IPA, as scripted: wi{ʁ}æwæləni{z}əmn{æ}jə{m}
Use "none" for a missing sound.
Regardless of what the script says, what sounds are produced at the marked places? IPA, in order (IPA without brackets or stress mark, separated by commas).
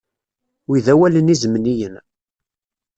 ð, z, i, n